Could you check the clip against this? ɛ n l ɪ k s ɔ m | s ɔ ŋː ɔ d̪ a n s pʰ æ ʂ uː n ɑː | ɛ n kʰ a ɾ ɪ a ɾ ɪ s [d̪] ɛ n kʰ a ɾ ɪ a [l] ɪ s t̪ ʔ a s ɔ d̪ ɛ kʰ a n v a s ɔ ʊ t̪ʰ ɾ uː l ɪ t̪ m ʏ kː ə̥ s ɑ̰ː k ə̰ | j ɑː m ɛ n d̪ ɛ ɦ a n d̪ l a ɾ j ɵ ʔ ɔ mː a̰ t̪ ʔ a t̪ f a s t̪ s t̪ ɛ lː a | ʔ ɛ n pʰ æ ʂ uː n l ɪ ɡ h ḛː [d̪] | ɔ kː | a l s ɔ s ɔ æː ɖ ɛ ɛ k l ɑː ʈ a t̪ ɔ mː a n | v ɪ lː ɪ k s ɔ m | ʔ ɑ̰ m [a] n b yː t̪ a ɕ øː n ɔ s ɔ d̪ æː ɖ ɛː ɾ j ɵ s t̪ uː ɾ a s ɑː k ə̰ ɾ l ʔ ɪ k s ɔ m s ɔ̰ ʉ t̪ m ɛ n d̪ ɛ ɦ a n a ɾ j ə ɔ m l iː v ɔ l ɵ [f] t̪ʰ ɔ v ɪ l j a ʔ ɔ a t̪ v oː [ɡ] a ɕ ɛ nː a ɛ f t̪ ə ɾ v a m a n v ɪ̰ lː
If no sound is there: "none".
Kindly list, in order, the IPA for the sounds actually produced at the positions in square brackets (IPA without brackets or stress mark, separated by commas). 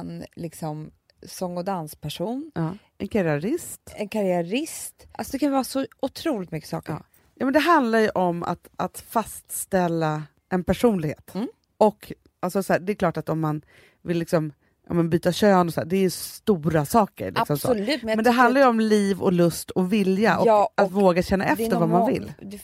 t̪, ɾ, t̪, ɛ, s, ɡ